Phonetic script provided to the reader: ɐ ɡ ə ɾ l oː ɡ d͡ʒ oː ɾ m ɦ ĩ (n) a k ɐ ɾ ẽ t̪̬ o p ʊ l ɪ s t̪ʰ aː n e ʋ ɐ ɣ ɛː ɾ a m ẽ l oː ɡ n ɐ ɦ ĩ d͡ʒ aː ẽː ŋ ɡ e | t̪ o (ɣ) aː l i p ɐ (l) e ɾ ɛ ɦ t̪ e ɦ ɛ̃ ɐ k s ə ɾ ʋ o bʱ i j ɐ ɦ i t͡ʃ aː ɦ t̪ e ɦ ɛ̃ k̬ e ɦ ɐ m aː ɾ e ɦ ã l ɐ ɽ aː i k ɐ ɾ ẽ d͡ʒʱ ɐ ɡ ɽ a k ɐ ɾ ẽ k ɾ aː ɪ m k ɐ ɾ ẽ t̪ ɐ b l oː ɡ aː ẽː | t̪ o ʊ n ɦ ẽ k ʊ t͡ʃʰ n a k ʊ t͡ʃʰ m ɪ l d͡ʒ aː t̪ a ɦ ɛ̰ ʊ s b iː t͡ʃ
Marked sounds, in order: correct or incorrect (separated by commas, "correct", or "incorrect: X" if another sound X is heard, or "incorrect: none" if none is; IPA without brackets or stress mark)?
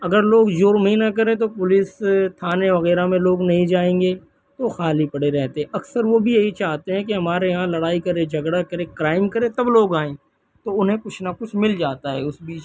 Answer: correct, incorrect: x, incorrect: ɽ